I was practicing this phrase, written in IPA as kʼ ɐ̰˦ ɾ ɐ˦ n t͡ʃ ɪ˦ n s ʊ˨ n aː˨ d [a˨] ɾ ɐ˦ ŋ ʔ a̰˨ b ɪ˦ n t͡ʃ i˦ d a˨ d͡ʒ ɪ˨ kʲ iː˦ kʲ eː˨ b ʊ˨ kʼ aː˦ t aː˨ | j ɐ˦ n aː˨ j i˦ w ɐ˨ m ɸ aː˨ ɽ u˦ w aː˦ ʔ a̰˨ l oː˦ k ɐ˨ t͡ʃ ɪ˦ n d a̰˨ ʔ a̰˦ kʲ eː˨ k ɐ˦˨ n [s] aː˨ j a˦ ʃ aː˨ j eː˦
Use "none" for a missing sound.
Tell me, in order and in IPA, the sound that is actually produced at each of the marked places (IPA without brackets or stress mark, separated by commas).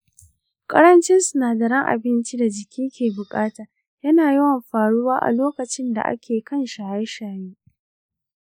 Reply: ɐ˨, ʃ